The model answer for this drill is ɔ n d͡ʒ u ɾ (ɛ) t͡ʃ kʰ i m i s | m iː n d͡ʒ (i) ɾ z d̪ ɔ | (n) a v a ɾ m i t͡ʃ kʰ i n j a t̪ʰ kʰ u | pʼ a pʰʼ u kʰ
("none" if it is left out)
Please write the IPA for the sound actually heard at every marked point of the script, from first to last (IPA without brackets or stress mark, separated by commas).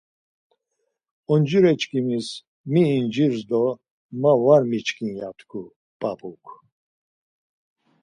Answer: ɛ, i, m